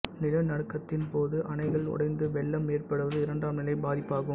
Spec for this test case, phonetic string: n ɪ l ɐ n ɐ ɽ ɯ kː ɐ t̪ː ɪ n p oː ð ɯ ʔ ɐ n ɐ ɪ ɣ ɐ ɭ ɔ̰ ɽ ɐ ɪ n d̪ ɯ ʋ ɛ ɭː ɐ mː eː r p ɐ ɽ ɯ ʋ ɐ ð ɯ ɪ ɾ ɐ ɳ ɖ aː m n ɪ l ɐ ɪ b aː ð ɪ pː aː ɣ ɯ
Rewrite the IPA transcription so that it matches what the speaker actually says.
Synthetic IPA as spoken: n ɪ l ɐ n ɐ ɽ ɯ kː ɐ t̪ː ɪ n p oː ð ɯ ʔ ɐ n ɐ ɪ ɣ ɐ ɭ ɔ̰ ɽ ɐ ɪ n d̪ ɯ ʋ ɛ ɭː ɐ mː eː r p ɐ ɽ ɯ ʋ ɐ ð ɯ ɪ ɾ ɐ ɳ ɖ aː m n ɪ l ɐ ɪ b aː ð ɪ pː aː ɣ ɯ